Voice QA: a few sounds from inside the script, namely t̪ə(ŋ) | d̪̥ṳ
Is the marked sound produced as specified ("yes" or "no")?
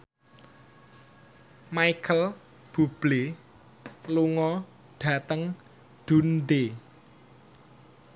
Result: yes